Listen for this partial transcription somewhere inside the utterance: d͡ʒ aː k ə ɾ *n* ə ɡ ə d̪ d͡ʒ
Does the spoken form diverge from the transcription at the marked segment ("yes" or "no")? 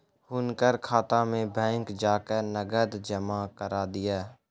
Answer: no